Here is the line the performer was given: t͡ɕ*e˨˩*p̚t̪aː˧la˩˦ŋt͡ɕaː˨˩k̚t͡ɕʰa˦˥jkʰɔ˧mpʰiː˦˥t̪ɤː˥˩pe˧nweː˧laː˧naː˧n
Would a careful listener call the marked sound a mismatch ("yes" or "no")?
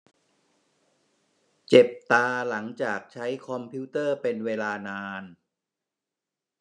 no